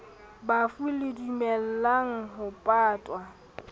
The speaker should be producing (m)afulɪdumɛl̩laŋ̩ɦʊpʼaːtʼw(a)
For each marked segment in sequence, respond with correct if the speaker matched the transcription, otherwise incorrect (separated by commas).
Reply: incorrect, correct